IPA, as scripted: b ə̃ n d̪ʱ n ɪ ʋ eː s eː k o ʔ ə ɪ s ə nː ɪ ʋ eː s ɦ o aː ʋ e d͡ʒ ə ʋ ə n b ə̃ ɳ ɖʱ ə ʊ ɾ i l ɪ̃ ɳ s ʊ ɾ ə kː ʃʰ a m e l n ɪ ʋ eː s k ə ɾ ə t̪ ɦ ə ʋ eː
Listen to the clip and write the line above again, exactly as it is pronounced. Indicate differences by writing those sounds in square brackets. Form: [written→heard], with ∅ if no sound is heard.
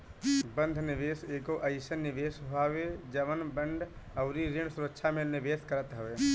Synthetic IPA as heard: b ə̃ n d̪ʱ n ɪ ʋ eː s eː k o ʔ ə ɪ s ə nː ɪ ʋ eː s ɦ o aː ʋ e d͡ʒ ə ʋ ə n b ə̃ ɳ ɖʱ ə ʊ ɾ i [l→ɾ] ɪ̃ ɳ s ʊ ɾ ə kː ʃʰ a m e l n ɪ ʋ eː s k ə ɾ ə t̪ ɦ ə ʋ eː